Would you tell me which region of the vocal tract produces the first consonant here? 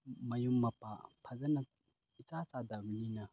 lips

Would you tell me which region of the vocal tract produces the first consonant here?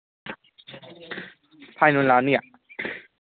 lips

